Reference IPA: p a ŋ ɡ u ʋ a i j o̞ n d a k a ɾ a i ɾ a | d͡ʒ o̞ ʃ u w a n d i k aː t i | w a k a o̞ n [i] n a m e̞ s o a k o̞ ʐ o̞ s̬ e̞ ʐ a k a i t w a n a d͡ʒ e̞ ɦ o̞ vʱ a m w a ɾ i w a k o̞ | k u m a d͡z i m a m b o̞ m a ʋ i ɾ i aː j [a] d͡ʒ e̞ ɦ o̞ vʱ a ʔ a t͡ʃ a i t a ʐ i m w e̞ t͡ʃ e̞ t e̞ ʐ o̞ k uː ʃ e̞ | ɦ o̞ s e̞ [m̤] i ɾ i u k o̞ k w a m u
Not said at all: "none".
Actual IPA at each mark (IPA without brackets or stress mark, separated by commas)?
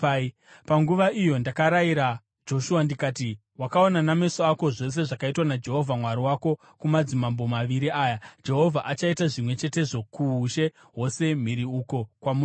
a, a, m̤